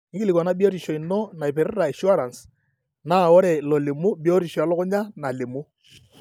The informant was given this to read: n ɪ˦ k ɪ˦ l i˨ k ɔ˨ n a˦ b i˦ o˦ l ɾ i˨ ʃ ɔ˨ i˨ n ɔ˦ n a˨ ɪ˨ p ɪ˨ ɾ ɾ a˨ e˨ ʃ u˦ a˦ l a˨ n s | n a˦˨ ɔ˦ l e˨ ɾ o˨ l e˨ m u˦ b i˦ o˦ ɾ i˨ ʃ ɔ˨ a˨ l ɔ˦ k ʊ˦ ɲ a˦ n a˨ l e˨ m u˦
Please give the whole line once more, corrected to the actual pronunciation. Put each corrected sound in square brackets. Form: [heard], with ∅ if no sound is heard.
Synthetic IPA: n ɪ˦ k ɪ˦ l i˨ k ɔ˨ n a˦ b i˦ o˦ [∅] ɾ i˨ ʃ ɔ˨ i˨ n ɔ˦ n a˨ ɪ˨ p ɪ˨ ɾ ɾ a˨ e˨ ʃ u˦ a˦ [ɾ] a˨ n s | n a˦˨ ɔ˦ [ɾ] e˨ [l] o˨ l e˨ m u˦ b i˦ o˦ ɾ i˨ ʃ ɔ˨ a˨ l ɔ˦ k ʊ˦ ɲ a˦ n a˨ l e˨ m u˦